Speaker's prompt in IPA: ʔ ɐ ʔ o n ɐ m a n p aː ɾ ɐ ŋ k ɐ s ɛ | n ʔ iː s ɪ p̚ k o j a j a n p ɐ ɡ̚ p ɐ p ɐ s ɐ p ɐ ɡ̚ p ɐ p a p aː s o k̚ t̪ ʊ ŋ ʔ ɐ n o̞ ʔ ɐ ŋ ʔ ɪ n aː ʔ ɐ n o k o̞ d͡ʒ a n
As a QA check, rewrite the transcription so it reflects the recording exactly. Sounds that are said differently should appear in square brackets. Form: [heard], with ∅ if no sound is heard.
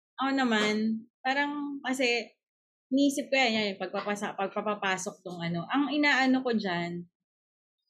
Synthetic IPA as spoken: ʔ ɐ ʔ o n ɐ m a n p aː ɾ ɐ ŋ k ɐ s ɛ | n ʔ iː s ɪ p̚ k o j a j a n p ɐ ɡ̚ p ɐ p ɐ s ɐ p ɐ ɡ̚ p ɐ p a p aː s o k̚ t̪ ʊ ŋ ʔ ɐ n o̞ ʔ ɐ ŋ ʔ ɪ n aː ʔ ɐ n o k o̞ d͡ʒ a n